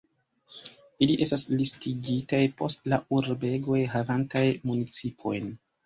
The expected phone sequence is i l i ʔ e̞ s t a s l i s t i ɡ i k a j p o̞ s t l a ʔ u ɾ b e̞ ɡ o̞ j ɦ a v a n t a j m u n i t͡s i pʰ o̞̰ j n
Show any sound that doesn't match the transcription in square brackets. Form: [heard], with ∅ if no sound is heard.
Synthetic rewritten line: i l i ʔ e̞ s t a s l i s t i ɡ i [t] a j p o̞ s t l a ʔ u ɾ b e̞ ɡ o̞ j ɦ a v a n t a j m u n i t͡s i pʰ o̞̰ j n